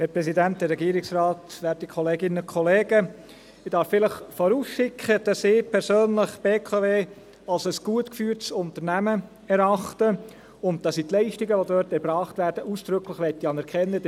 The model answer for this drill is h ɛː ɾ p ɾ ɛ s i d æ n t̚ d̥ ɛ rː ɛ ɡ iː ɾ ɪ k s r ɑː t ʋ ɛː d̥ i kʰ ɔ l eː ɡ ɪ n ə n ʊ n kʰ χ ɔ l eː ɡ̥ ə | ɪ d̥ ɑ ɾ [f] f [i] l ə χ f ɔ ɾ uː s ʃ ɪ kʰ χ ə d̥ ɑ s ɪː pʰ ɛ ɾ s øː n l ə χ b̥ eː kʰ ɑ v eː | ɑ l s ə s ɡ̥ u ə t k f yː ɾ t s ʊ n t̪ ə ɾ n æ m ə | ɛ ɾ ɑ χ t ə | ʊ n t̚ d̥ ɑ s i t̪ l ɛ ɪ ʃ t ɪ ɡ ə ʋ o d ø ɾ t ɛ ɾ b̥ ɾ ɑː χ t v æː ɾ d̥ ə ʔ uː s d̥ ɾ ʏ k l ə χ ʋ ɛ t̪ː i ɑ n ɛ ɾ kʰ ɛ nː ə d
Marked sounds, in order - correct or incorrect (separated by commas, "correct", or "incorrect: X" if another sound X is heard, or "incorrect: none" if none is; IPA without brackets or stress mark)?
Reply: correct, incorrect: ɪ